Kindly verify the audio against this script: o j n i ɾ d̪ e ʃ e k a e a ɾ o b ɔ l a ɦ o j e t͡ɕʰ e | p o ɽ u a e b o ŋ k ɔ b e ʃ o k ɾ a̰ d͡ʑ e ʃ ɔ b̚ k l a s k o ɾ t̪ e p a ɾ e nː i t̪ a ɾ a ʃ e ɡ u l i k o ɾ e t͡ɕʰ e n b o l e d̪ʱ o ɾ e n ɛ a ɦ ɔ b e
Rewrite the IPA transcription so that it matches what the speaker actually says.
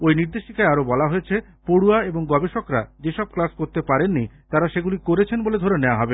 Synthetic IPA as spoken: o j n i ɾ d̪ e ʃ i k a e a ɾ o b ɔ l a ɦ o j e t͡ɕʰ e | p o ɽ u a e b o ŋ ɡ ɔ b e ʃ o k ɾ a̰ d͡ʑ e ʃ ɔ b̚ k l a s k o ɾ t̪ e p a ɾ e nː i t̪ a ɾ a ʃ e ɡ u l i k o ɾ e t͡ɕʰ e n b o l e d̪ʱ o ɾ e n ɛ a ɦ ɔ b e